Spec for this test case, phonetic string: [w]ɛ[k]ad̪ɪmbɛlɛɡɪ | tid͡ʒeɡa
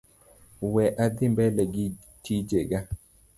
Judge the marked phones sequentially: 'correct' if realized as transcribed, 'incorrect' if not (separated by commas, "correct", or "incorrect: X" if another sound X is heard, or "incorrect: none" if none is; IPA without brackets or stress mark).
correct, incorrect: ʔ